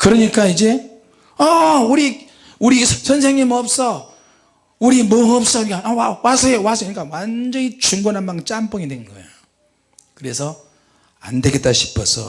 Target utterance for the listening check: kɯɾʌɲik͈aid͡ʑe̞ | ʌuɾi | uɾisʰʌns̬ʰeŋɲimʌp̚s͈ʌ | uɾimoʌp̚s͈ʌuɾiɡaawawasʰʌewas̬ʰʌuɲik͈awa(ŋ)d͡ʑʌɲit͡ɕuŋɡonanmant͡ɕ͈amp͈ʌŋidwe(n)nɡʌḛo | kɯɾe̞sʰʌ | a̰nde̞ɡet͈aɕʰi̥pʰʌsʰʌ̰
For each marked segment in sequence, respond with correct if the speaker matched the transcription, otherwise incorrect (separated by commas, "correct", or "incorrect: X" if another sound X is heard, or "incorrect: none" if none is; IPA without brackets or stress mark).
incorrect: n, correct